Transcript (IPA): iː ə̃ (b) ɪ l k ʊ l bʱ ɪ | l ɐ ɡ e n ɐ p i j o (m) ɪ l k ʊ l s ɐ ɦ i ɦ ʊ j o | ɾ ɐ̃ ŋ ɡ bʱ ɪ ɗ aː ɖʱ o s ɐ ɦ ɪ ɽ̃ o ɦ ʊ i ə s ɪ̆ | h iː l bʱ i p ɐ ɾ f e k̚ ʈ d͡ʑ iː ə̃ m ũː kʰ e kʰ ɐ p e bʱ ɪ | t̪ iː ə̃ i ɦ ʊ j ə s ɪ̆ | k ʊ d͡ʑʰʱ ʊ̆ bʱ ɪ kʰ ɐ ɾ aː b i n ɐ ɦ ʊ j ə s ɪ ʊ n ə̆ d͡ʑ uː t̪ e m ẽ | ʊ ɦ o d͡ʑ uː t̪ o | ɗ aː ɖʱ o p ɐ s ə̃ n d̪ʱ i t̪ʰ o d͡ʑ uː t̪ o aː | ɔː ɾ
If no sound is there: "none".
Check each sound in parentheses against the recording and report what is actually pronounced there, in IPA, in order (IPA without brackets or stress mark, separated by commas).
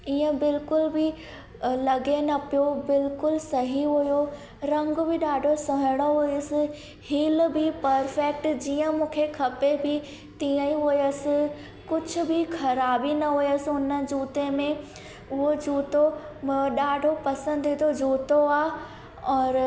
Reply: b, b